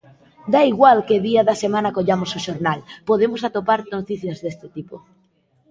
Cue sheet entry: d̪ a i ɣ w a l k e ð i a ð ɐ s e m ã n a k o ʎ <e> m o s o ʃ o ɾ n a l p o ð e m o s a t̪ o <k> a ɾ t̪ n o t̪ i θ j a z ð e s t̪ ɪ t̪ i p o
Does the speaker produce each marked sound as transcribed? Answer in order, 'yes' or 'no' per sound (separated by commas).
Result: no, no